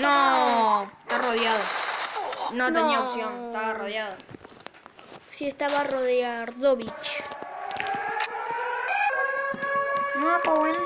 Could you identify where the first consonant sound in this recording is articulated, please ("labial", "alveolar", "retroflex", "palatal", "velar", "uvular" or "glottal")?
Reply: alveolar